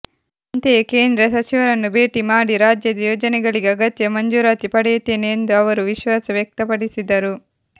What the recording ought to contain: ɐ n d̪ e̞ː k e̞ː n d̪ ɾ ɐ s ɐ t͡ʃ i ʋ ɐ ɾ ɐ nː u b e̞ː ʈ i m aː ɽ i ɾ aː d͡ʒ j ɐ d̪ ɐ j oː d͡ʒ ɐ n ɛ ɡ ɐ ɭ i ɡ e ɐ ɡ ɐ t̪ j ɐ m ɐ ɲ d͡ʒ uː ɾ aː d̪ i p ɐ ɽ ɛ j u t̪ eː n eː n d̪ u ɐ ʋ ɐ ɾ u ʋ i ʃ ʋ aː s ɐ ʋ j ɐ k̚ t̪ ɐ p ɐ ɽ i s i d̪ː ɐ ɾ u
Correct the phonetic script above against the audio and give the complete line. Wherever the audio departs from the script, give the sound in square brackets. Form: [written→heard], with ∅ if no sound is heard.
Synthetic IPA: ɐ n [d̪→t̪] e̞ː k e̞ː n d̪ ɾ ɐ s ɐ t͡ʃ i ʋ ɐ ɾ ɐ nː u b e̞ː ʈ i m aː ɽ i ɾ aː d͡ʒ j ɐ d̪ ɐ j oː d͡ʒ ɐ n ɛ ɡ ɐ ɭ i ɡ e ɐ ɡ ɐ t̪ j ɐ m ɐ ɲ d͡ʒ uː ɾ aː [d̪→t̪] i p ɐ ɽ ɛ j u t̪ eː n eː n d̪ u ɐ ʋ ɐ ɾ u ʋ i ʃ ʋ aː s ɐ ʋ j ɐ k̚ t̪ ɐ p ɐ ɽ i s i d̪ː ɐ ɾ u

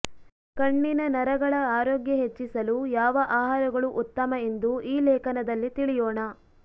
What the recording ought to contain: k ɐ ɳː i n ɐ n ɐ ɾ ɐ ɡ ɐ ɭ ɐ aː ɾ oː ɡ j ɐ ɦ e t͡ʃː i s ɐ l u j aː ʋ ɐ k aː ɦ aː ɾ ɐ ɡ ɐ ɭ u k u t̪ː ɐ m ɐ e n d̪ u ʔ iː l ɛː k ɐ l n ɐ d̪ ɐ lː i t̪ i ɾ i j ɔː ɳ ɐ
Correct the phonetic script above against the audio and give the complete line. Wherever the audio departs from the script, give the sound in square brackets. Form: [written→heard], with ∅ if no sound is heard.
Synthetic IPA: k ɐ ɳː i n ɐ n ɐ ɾ ɐ ɡ ɐ ɭ ɐ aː ɾ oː ɡ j ɐ ɦ e t͡ʃː i s ɐ l u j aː ʋ ɐ [k→ʔ] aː ɦ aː ɾ ɐ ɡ ɐ ɭ u [k→ʔ] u t̪ː ɐ m ɐ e n d̪ u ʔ iː l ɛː k ɐ [l→∅] n ɐ d̪ ɐ lː i t̪ i [ɾ→ɭ] i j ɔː ɳ ɐ

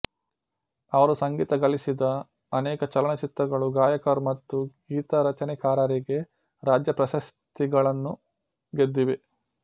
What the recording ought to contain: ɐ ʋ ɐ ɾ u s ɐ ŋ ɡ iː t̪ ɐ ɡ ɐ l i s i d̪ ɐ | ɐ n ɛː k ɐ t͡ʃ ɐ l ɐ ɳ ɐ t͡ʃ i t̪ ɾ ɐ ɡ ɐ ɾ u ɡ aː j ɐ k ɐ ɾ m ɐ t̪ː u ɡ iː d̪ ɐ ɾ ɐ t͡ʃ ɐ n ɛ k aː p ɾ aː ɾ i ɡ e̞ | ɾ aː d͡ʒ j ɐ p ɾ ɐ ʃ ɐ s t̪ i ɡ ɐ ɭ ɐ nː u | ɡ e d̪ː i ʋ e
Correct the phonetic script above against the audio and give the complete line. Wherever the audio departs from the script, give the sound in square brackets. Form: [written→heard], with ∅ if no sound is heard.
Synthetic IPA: ɐ ʋ ɐ ɾ u s ɐ ŋ ɡ iː t̪ ɐ ɡ ɐ l i s i d̪ ɐ | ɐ n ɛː k ɐ t͡ʃ ɐ l ɐ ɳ ɐ t͡ʃ i t̪ ɾ ɐ ɡ ɐ [ɾ→ɭ] u ɡ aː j ɐ k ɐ ɾ m ɐ t̪ː u ɡ iː [d̪→t̪] ɐ ɾ ɐ t͡ʃ ɐ n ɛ k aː [p→∅] ɾ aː ɾ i ɡ e̞ | ɾ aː d͡ʒ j ɐ p ɾ ɐ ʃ ɐ s t̪ i ɡ ɐ ɭ ɐ nː u | ɡ e d̪ː i ʋ e

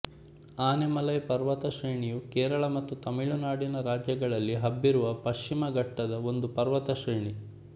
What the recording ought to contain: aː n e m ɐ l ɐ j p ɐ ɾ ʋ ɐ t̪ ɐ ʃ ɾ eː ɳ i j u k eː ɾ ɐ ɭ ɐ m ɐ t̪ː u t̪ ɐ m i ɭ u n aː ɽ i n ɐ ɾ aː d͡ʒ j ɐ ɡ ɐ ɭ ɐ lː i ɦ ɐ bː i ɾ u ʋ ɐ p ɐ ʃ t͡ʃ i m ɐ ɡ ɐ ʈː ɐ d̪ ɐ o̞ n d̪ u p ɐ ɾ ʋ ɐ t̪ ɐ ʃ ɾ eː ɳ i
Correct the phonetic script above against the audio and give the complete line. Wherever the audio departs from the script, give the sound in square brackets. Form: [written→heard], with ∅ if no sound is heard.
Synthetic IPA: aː n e m ɐ l ɐ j p ɐ ɾ ʋ ɐ t̪ ɐ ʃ ɾ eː ɳ i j u k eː ɾ ɐ ɭ ɐ m ɐ t̪ː u t̪ ɐ m i ɭ u n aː ɽ i n ɐ ɾ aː d͡ʒ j ɐ ɡ ɐ ɭ ɐ lː i ɦ ɐ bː i ɾ u ʋ ɐ p ɐ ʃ t͡ʃ i m ɐ ɡ ɐ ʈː ɐ d̪ ɐ o̞ n d̪ u p ɐ ɾ ʋ ɐ t̪ ɐ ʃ ɾ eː ɳ i

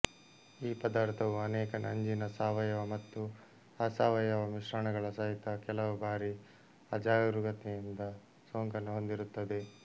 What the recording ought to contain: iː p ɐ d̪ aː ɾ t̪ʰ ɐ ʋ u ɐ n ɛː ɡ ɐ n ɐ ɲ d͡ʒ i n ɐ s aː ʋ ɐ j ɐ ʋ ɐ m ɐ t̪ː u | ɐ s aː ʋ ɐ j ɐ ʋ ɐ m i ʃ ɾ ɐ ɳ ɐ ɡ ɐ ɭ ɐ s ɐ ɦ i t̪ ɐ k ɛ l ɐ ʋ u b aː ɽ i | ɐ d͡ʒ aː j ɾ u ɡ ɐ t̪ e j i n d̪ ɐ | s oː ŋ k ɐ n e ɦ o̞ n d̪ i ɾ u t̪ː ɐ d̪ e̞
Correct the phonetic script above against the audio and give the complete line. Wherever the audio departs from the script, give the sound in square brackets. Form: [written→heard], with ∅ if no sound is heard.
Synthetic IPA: iː p ɐ d̪ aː ɾ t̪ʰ ɐ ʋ u ɐ n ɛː [ɡ→k] ɐ n ɐ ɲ d͡ʒ i n ɐ s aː ʋ ɐ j ɐ ʋ ɐ m ɐ t̪ː u | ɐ s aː ʋ ɐ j ɐ ʋ ɐ m i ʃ ɾ ɐ ɳ ɐ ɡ ɐ ɭ ɐ s ɐ ɦ i t̪ ɐ k ɛ l ɐ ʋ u b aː [ɽ→ɾ] i | ɐ d͡ʒ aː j ɾ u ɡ ɐ t̪ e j i n d̪ ɐ | s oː ŋ k ɐ n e ɦ o̞ n d̪ i ɾ u t̪ː ɐ d̪ e̞

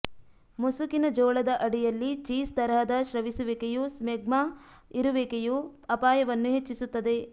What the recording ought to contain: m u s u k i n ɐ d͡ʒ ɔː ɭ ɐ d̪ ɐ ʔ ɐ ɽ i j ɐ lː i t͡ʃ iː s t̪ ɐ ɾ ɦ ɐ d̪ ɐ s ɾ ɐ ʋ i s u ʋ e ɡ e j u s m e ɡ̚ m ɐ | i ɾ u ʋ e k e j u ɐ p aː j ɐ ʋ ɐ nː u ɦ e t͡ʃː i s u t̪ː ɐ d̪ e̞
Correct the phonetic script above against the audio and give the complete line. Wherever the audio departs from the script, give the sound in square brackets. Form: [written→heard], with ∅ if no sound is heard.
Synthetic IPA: m u s u k i n ɐ d͡ʒ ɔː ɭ ɐ d̪ ɐ ʔ ɐ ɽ i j ɐ lː i t͡ʃ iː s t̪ ɐ ɾ ɦ ɐ d̪ ɐ [s→ʃ] ɾ ɐ ʋ i s u ʋ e [ɡ→k] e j u s m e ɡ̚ m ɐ | i ɾ u ʋ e k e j u ɐ p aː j ɐ ʋ ɐ nː u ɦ e t͡ʃː i s u t̪ː ɐ d̪ e̞

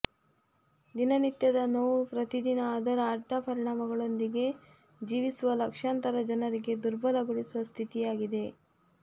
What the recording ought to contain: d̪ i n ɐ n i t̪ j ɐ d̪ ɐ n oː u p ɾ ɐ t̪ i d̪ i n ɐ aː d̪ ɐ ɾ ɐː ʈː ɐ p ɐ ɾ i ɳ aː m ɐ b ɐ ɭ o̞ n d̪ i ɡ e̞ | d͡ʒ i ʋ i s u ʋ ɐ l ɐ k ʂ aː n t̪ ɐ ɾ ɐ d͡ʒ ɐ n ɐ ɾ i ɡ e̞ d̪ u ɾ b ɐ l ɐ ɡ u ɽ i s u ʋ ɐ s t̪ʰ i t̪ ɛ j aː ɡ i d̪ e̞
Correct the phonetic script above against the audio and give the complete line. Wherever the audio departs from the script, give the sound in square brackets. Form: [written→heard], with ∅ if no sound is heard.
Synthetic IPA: d̪ i n ɐ n i t̪ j ɐ d̪ ɐ n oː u p ɾ ɐ t̪ i d̪ i n ɐ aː d̪ ɐ ɾ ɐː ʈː ɐ p ɐ ɾ i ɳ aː m ɐ [b→ɡ] ɐ ɭ o̞ n d̪ i ɡ e̞ | d͡ʒ [i→iː] ʋ i s u ʋ ɐ l ɐ k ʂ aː n t̪ ɐ ɾ ɐ d͡ʒ ɐ n ɐ ɾ i ɡ e̞ d̪ u ɾ b ɐ l ɐ ɡ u ɽ i s u ʋ ɐ s t̪ʰ i t̪ [ɛ→i] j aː ɡ i d̪ e̞

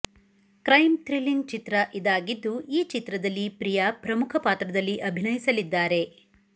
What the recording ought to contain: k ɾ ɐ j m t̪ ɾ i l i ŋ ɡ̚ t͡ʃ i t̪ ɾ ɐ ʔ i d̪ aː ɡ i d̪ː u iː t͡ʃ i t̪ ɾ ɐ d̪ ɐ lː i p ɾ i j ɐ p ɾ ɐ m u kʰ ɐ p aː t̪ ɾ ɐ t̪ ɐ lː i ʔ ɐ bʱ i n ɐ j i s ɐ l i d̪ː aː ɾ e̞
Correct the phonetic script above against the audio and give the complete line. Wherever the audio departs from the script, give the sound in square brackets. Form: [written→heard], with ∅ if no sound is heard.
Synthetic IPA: k ɾ ɐ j m t̪ ɾ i l i ŋ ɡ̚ t͡ʃ i t̪ ɾ ɐ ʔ i d̪ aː ɡ i d̪ː u iː t͡ʃ i t̪ ɾ ɐ d̪ ɐ lː i p ɾ i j ɐ p ɾ ɐ m u kʰ ɐ p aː t̪ ɾ ɐ [t̪→d̪] ɐ lː i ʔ ɐ bʱ i n ɐ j i s ɐ l i d̪ː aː ɾ e̞

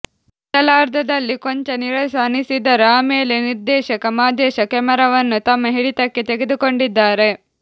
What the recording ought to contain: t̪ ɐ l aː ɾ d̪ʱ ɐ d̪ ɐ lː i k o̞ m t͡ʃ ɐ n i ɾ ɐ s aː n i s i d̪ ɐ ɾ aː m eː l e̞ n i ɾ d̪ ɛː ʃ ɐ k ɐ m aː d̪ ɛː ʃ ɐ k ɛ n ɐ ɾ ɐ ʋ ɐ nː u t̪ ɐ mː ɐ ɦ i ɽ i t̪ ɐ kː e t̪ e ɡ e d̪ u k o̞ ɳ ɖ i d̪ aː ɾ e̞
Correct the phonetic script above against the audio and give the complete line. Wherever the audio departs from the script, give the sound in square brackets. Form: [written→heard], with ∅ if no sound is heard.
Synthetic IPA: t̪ ɐ l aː ɾ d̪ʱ ɐ d̪ ɐ lː i k o̞ [m→ɲ] t͡ʃ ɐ n i ɾ ɐ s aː n i s i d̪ ɐ ɾ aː m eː l e̞ n i ɾ d̪ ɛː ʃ ɐ k ɐ m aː d̪ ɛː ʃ ɐ k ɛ [n→m] ɐ ɾ ɐ ʋ ɐ nː u t̪ ɐ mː ɐ ɦ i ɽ i t̪ ɐ kː e t̪ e ɡ e d̪ u k o̞ ɳ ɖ i [d̪→d̪ː] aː ɾ e̞

